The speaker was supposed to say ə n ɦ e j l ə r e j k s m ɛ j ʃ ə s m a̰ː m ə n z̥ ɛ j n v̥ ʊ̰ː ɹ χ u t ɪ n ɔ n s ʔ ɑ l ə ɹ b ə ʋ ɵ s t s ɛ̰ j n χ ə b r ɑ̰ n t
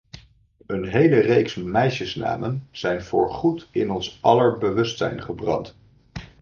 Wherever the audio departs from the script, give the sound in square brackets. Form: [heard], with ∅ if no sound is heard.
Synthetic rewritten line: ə n ɦ e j l ə r e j k s m ɛ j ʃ ə s [n] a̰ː m ə n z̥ ɛ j n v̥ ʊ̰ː ɹ χ u t ɪ n ɔ n s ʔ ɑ l ə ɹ b ə ʋ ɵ s t s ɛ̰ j n χ ə b r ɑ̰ n t